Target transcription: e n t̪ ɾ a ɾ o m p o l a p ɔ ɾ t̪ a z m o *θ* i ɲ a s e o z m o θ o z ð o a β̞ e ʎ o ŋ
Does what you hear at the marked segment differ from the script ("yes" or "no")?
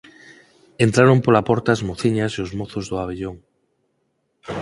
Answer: no